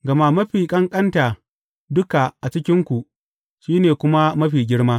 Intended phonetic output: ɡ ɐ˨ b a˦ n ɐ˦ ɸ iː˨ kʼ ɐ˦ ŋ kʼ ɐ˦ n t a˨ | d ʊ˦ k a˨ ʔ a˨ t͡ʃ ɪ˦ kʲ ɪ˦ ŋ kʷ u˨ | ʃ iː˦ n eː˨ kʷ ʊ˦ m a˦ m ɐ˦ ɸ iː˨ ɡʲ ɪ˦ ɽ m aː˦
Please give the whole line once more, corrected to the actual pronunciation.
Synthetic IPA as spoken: ɡ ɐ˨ m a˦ m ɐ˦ ɸ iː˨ kʼ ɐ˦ ŋ kʼ ɐ˦ n t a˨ | d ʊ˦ k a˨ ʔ a˨ t͡ʃ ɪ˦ kʲ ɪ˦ ŋ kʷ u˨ | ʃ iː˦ n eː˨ kʷ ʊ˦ m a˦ m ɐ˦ ɸ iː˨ ɡʲ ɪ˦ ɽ m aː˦